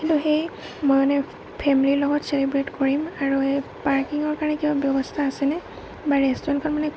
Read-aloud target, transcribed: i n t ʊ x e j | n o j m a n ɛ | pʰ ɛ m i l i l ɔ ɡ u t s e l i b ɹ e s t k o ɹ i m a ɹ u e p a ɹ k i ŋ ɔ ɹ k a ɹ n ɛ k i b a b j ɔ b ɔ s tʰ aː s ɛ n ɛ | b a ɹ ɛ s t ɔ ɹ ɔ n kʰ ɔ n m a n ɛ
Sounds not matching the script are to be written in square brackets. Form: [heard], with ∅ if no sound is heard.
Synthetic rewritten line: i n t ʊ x e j | [m] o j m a n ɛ | pʰ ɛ m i l i l ɔ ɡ [ɔ] t s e l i b ɹ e [∅] t k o ɹ i m a ɹ u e p a ɹ k i ŋ ɔ ɹ k a ɹ n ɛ k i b a b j ɔ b ɔ s tʰ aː s ɛ n ɛ | b a ɹ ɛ s t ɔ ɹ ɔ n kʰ ɔ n m a n ɛ

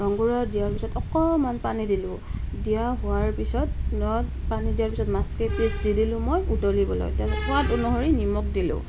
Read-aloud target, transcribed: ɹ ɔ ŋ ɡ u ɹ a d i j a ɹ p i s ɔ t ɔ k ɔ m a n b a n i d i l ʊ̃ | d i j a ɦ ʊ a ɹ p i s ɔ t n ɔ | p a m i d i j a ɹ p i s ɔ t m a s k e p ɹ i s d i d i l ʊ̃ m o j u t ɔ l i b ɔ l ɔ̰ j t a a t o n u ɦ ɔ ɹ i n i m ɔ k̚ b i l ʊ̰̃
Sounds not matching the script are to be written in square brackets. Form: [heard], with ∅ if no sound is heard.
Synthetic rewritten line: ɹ ɔ ŋ ɡ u ɹ a d i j a ɹ p i s ɔ t ɔ k ɔ m a n [p] a n i d i l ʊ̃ | d i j a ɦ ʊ a ɹ p i s ɔ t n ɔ | p a [n] i d i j a ɹ p i s ɔ t m a s k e p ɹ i s d i d i l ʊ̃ m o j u t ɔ l i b ɔ l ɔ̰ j t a a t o n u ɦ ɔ ɹ i n i m ɔ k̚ [d] i l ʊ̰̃

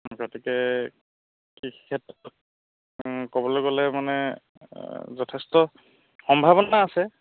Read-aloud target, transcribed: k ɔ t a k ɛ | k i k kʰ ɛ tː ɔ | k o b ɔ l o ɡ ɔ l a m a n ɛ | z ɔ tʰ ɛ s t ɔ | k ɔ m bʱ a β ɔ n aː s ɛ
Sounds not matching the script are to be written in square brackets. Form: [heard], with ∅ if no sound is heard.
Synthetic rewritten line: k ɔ t [i] k ɛ | k i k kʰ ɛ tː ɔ | k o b ɔ l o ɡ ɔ l [ɛ] m a n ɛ | z ɔ tʰ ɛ s t ɔ | [x] ɔ m bʱ a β ɔ n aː s ɛ

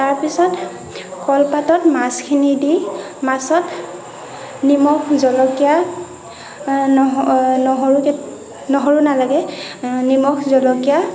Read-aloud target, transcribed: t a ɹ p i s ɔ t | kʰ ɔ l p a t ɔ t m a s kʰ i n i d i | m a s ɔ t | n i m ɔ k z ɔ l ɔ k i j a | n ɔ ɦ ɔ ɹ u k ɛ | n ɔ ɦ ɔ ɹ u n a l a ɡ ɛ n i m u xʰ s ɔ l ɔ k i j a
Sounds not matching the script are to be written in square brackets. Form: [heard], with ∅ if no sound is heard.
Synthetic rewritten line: t a ɹ p i s ɔ t | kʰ ɔ l p a t ɔ t m a s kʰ i n i d i | m a s ɔ t | n i m ɔ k z ɔ l ɔ k i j a | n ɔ ɦ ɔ ɹ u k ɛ | n ɔ ɦ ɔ ɹ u n a l a ɡ ɛ n i m [ɔ] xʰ [z] ɔ l ɔ k i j a

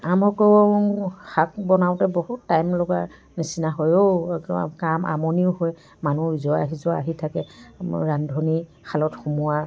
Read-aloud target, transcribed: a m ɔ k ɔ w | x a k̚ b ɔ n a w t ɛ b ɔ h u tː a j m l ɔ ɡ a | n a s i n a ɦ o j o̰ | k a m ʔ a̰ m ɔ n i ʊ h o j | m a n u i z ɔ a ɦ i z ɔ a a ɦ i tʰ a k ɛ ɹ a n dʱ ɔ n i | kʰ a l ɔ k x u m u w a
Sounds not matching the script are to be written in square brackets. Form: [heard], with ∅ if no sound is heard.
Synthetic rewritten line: a m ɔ k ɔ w | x a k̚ b ɔ n a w t ɛ b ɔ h u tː a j m l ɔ ɡ a | n [i] s i n a ɦ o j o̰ | k a m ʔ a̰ m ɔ n i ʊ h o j | m a n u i z ɔ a ɦ i z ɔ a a ɦ i tʰ a k ɛ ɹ a n dʱ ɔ n i | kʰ a l ɔ [t] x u m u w a

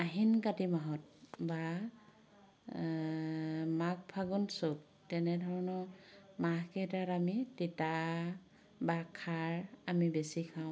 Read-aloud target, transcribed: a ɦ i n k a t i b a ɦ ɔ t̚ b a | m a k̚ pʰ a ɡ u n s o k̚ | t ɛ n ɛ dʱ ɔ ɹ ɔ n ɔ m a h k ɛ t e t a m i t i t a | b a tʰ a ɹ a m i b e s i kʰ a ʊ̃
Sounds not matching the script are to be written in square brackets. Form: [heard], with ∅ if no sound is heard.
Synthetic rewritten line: a ɦ i n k a t i [m] a ɦ ɔ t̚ b a | m a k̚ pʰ a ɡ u n s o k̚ | t ɛ n ɛ dʱ ɔ ɹ ɔ n ɔ m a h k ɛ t [a] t a m i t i t a | b a [kʰ] a ɹ a m i b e s i kʰ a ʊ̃

